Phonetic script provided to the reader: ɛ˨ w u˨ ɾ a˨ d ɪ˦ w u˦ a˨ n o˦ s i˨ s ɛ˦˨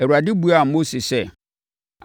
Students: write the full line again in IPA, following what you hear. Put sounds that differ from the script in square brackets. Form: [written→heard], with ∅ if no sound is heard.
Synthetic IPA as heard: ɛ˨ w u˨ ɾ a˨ d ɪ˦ [w→b] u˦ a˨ [n→m] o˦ s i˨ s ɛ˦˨